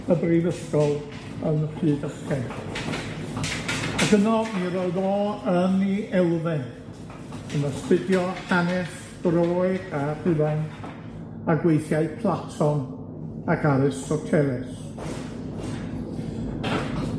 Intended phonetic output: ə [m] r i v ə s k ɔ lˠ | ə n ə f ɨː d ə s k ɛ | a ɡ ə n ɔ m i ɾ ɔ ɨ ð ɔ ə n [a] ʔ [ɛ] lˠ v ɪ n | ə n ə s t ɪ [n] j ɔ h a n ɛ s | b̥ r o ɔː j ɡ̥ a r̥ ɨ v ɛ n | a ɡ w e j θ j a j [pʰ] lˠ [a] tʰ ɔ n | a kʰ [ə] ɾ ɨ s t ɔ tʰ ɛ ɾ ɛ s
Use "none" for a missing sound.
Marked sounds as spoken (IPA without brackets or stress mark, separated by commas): b, i, ɛ, d, pʰ, a, a